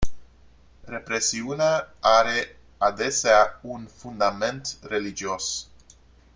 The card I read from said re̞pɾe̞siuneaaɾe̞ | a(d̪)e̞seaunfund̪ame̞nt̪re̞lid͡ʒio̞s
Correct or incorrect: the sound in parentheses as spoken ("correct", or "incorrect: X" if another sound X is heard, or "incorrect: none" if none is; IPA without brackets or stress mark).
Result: correct